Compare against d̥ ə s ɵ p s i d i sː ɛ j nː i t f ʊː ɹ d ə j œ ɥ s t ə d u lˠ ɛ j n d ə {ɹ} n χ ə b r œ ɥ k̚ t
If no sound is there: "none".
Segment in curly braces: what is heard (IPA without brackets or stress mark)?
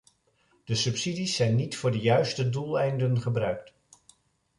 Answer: none